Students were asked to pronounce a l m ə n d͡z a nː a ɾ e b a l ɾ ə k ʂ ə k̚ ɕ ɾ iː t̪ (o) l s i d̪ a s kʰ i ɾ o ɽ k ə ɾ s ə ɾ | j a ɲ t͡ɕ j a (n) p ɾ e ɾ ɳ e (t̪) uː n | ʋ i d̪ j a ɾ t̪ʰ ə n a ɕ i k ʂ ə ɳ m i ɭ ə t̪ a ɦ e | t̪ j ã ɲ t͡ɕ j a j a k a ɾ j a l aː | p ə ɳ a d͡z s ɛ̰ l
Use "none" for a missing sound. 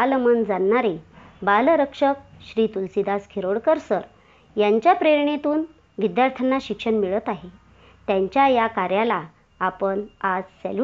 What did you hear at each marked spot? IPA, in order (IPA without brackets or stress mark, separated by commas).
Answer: u, none, t̪